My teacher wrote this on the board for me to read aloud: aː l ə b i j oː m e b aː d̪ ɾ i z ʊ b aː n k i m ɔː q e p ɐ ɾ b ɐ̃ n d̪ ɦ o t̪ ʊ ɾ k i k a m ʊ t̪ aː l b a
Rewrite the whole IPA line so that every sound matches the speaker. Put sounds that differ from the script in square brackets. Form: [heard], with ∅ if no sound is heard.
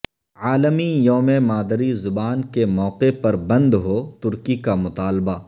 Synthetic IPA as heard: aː l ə [m] i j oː m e [m] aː d̪ ɾ i z ʊ b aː n k [e] m ɔː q e p ɐ ɾ b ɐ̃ n d̪ ɦ o t̪ ʊ ɾ k i k a m ʊ t̪ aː l b a